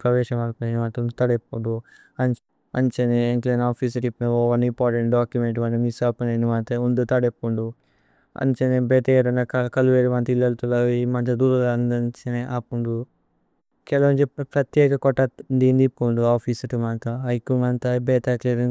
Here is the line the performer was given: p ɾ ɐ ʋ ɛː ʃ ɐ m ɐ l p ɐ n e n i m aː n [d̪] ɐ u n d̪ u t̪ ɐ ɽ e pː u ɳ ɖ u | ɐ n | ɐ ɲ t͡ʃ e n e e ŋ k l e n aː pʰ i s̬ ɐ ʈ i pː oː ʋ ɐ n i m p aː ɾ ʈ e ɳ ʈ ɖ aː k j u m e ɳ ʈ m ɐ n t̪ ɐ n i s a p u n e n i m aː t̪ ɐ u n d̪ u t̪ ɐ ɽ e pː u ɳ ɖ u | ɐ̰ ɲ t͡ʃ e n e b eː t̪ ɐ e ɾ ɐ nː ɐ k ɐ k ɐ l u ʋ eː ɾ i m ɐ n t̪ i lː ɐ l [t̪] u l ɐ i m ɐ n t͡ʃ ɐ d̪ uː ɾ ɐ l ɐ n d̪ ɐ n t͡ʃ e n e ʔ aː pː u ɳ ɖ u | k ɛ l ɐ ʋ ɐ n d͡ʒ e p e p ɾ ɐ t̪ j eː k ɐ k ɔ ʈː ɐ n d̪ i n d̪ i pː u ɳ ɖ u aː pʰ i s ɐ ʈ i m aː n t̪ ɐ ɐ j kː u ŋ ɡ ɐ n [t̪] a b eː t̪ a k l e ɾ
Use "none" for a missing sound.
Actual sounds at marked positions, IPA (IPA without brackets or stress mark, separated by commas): t̪, t̪, t̪